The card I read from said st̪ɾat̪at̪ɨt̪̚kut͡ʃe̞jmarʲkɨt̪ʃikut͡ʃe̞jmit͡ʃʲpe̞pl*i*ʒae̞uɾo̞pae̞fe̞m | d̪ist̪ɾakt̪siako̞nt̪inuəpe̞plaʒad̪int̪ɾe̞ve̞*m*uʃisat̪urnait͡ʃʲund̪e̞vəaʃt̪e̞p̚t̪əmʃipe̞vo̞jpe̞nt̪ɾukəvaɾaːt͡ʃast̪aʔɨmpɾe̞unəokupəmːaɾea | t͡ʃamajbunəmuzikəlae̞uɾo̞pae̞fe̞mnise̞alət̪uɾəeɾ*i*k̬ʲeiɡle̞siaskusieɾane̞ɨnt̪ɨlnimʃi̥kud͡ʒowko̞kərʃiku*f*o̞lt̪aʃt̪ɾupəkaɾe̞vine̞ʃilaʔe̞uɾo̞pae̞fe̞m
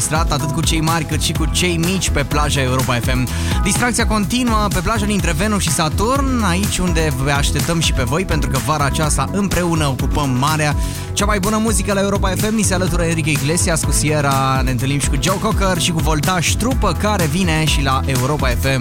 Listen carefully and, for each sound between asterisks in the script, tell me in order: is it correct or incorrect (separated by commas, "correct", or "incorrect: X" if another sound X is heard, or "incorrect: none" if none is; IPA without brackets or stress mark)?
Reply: incorrect: a, incorrect: n, correct, incorrect: v